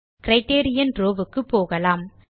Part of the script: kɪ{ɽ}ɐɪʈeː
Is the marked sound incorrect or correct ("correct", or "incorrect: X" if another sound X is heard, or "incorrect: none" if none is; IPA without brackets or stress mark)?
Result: incorrect: ɾ